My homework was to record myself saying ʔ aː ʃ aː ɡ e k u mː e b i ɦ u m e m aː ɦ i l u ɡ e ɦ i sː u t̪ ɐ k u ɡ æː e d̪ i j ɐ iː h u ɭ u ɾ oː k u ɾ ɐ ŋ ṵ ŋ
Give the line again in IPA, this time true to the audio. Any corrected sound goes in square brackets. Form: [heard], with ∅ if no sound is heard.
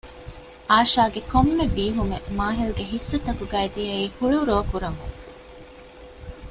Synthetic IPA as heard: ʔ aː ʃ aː ɡ e k [o] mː e b [iː] ɦ u m e m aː ɦ i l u ɡ e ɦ i sː u t̪ ɐ k u ɡ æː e d̪ i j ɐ iː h u ɭ u ɾ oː k u ɾ ɐ ŋ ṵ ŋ